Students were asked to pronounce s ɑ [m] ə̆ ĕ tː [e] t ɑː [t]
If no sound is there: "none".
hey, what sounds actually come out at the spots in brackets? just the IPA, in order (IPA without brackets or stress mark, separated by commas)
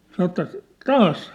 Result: n, æ, s